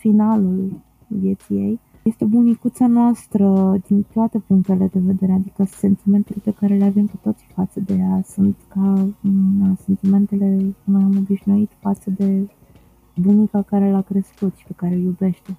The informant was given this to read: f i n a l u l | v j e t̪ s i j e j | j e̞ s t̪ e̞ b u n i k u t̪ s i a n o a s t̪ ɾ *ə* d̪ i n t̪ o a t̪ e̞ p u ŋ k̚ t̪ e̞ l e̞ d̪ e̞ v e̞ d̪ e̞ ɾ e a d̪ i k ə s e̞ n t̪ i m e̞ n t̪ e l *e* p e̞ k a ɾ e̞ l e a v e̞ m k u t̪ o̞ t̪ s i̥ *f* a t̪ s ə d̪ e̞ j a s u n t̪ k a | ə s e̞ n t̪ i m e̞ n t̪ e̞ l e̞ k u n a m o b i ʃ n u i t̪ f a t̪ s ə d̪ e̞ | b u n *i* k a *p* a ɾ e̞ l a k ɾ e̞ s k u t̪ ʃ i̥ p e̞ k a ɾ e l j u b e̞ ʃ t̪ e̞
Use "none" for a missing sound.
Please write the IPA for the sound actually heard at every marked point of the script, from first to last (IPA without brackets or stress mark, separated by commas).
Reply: ə, e, f, i, k